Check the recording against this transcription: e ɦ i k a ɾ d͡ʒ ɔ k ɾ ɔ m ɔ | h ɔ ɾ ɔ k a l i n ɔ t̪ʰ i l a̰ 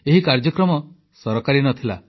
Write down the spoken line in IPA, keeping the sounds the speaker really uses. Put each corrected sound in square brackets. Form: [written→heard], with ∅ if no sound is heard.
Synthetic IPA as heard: e ɦ i k a ɾ d͡ʒ ɔ k ɾ ɔ m ɔ | [h→s] ɔ ɾ ɔ k a [l→ɾ] i n ɔ t̪ʰ i l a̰